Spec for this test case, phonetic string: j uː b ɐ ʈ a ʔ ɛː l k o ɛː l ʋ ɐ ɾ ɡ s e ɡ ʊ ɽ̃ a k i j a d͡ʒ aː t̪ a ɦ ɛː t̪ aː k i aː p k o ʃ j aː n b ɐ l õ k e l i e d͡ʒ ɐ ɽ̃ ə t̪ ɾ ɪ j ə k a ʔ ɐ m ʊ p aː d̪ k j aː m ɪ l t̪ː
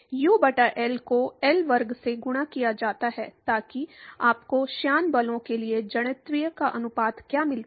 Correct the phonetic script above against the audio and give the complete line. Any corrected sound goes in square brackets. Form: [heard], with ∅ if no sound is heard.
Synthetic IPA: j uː b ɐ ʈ a ʔ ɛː l k o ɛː l ʋ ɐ ɾ ɡ s e ɡ ʊ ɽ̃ a k i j a d͡ʒ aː t̪ a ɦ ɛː t̪ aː k i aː p k o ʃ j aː n b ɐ l õ k e l i e d͡ʒ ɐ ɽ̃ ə t̪ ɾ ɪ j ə k a ʔ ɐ [n] ʊ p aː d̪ k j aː m ɪ l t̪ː